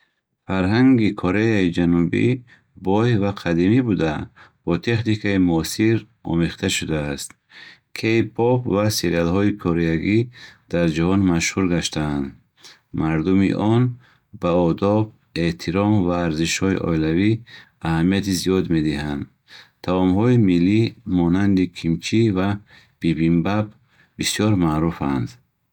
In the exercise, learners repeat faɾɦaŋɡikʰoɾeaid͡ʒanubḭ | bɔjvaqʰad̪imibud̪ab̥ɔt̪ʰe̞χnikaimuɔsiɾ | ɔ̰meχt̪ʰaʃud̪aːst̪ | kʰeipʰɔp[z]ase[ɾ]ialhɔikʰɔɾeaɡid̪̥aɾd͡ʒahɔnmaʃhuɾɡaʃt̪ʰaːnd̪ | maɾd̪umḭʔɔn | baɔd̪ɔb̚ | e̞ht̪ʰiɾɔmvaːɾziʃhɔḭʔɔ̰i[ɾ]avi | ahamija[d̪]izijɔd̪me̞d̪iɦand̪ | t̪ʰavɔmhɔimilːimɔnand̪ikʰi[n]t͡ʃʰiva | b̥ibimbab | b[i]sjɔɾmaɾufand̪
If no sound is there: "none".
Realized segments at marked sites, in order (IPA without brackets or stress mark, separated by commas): v, ɾ, l, t̪, m, i